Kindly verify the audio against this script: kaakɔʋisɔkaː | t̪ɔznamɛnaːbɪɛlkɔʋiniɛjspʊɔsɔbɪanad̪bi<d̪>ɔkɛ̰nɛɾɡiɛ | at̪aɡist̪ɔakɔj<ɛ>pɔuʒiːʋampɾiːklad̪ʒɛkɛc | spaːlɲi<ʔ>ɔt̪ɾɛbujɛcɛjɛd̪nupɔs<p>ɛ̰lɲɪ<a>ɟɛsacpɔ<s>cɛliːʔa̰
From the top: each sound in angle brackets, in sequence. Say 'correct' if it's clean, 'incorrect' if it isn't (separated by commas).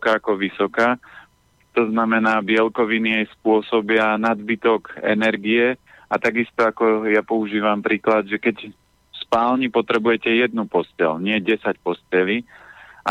incorrect, incorrect, incorrect, incorrect, incorrect, correct